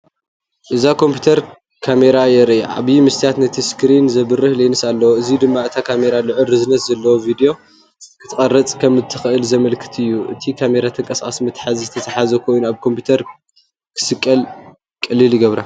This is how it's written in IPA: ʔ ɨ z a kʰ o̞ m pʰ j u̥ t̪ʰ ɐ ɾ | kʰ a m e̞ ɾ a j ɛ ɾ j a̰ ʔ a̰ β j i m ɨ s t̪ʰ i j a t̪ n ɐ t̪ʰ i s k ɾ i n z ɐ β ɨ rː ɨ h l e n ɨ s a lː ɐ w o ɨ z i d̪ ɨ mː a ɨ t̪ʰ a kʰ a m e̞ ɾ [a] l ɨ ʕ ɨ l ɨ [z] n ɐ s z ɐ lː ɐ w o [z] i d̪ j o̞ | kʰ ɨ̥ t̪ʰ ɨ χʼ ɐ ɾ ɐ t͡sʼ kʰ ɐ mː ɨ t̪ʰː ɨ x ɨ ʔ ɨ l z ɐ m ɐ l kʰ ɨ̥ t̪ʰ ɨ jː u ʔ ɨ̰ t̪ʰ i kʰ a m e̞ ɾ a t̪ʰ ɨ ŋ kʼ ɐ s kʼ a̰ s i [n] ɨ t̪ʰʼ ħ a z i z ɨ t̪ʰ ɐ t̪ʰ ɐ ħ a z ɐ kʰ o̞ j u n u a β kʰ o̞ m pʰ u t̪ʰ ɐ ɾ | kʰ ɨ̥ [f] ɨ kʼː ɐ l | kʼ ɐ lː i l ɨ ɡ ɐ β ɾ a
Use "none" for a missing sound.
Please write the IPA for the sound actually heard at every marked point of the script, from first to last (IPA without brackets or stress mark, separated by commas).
a, z, v, m, s